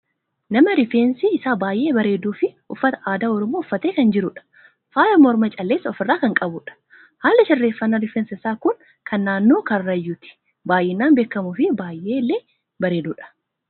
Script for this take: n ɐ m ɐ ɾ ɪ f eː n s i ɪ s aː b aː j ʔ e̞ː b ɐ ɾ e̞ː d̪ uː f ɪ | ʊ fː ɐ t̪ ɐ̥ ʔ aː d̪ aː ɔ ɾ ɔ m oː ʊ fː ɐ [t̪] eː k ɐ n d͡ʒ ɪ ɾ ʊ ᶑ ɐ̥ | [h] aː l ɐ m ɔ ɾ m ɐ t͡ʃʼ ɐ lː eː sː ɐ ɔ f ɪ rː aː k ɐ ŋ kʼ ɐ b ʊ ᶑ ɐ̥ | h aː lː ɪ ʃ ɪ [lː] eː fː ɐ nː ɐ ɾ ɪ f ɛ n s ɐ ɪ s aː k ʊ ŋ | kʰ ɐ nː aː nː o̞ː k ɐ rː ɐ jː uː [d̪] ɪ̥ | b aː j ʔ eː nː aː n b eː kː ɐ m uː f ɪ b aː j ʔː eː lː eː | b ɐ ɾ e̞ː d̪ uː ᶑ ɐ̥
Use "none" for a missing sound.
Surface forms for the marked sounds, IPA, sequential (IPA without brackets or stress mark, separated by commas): t̪, f, rː, t̪